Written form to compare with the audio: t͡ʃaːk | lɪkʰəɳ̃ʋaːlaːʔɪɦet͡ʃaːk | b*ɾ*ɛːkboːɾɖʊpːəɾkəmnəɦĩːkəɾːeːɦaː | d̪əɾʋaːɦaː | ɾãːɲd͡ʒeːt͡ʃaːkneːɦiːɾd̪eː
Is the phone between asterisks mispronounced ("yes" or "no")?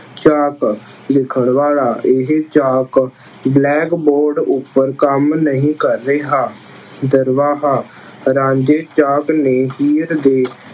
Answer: yes